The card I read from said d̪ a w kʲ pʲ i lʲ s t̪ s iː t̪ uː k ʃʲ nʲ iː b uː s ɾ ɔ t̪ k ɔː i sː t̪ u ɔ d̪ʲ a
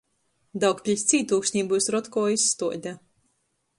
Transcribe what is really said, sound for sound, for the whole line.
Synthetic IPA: d̪ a w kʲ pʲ i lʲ s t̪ s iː t̪ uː k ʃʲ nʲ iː b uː s ɾ ɔ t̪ k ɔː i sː t̪ u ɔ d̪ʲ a

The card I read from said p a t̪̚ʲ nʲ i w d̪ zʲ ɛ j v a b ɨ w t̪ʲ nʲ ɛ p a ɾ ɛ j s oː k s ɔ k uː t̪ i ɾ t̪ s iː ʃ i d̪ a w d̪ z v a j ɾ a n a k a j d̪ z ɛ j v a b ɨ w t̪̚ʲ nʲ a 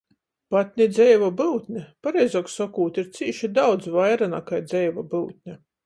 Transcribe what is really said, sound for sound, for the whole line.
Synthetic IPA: p a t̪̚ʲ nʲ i d̪ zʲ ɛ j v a b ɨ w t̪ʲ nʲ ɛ p a ɾ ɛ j z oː k s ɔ k uː t̪ i ɾ t̪ s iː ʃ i d̪ a w d̪ z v a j ɾ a n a k a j d̪ z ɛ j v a b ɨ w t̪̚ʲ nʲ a

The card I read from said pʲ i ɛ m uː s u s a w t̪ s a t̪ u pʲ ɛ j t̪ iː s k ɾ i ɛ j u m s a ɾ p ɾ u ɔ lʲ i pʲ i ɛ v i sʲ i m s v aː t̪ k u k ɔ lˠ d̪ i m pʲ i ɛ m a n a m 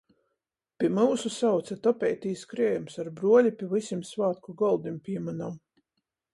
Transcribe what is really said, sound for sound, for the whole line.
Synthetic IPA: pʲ i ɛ m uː s u s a w t̪ s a t̪ ɔ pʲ ɛ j t̪ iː s k ɾ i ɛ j u m s a ɾ b ɾ u ɔ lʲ i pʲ i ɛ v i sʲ i m s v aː t̪ k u ɡ ɔ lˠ d̪ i m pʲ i ɛ m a n a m

